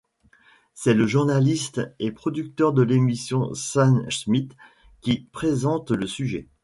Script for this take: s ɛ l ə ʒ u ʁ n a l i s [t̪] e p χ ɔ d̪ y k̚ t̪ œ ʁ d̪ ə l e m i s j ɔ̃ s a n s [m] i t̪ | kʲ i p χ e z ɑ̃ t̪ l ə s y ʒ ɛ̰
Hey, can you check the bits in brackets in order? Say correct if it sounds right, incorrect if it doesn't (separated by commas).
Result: correct, correct